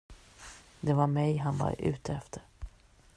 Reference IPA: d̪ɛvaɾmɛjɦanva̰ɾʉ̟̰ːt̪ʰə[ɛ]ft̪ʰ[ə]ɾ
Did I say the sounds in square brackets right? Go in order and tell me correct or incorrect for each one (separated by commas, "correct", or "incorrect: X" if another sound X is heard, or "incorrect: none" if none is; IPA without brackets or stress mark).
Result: correct, correct